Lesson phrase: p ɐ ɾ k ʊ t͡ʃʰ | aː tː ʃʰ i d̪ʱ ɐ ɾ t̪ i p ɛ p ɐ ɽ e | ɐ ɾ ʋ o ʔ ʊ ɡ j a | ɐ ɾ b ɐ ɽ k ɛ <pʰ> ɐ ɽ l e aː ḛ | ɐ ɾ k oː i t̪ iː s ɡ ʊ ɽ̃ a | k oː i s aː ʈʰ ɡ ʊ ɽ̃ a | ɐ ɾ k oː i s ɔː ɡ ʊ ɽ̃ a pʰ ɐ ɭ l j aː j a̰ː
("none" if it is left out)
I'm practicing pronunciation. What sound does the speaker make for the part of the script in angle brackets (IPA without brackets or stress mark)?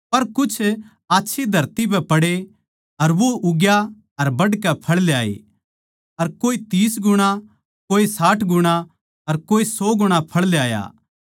pʰ